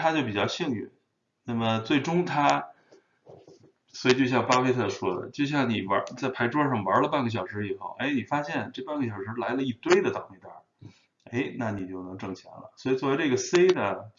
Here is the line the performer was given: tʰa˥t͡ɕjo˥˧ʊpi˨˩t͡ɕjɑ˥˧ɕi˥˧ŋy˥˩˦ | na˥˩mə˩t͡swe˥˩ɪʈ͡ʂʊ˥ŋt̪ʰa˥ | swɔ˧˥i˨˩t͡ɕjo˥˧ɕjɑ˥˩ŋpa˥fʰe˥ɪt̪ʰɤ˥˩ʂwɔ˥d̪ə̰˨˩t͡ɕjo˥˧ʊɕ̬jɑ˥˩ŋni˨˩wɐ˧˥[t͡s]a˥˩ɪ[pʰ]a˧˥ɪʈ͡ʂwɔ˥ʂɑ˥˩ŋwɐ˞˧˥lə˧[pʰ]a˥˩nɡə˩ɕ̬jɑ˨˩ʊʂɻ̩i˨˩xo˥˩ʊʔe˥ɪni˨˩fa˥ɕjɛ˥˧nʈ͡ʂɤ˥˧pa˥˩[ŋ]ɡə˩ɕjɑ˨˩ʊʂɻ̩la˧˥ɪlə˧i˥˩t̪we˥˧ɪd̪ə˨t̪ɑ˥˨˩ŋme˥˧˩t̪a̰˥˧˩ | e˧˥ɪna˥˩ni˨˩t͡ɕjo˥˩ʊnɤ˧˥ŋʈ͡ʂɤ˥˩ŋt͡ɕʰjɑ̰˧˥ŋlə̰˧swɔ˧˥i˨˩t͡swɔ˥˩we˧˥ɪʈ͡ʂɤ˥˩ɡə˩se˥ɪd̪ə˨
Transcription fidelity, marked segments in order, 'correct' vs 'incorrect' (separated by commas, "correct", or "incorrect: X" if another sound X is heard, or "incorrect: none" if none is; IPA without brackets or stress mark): correct, correct, incorrect: p, incorrect: n